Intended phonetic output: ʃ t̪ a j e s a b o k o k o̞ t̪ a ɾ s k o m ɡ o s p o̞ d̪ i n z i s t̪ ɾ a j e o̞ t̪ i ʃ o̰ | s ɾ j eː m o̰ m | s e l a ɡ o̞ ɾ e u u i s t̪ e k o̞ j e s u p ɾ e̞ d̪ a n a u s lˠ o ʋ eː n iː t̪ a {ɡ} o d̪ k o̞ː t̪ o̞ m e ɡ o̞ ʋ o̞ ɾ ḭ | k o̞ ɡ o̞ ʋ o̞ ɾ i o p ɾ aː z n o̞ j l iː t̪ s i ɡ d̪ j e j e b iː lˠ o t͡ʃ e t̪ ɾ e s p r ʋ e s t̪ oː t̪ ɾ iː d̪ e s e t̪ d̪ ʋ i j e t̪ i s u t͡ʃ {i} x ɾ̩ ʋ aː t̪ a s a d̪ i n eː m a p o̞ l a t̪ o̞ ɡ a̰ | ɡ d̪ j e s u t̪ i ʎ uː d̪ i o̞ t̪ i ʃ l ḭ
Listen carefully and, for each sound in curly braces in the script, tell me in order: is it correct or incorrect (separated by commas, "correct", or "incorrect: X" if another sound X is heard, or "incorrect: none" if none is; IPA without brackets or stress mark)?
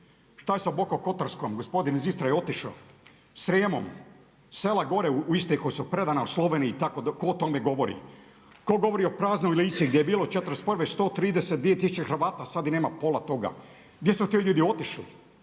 incorrect: k, incorrect: e